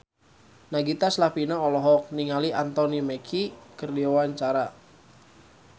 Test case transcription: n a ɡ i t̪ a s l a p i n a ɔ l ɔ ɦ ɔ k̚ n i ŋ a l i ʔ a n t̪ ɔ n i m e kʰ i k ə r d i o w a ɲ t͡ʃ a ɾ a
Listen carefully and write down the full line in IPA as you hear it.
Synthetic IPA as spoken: n a ɡ i t̪ a s l a p i n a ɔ l ɔ ɦ ɔ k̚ n i ŋ a l i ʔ a n t̪ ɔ n i m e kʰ i k ə r d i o w a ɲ t͡ʃ a ɾ a